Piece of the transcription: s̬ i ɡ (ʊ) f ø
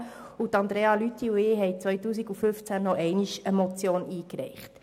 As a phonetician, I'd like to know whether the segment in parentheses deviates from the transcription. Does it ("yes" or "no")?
yes